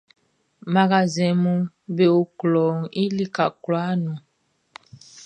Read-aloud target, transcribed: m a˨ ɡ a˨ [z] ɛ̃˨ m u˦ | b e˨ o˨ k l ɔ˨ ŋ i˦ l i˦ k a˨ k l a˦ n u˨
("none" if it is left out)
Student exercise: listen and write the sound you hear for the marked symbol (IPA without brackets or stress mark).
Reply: z